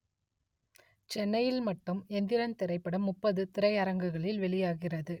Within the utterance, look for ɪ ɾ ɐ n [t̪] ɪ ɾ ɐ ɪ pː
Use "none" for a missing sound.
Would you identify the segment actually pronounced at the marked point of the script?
t̪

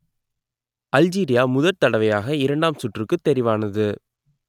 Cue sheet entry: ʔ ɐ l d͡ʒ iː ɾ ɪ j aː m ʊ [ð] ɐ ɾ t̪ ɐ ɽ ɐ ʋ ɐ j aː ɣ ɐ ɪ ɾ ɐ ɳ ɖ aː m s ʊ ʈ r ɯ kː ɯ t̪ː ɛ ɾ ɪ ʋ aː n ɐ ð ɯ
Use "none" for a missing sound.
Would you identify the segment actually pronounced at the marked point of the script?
ð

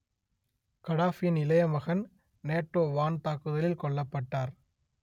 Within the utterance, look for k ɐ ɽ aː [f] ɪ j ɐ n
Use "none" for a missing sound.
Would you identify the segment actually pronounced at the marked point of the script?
f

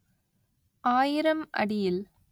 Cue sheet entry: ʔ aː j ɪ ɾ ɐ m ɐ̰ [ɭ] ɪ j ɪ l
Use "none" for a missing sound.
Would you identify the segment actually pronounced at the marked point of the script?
ɽ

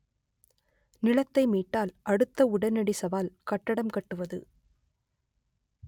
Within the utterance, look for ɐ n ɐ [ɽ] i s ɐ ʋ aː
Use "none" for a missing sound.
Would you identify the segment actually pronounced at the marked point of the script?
ɽ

